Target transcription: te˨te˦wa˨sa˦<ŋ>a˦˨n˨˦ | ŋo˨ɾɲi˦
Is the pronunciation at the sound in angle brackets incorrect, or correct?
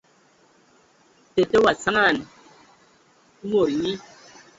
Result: correct